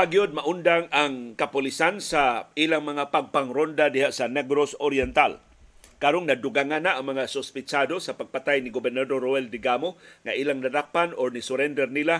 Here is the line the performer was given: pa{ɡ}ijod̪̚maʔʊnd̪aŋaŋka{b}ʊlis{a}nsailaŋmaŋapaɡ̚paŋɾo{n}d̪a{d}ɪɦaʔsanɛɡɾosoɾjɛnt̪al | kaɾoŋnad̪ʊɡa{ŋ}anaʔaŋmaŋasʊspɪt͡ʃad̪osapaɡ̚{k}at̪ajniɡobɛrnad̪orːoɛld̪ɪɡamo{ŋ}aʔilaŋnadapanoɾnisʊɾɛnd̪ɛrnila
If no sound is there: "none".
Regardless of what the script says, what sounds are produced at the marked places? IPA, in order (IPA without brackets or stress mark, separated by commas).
ɡ, p, a, n, d, ŋ, p, ŋ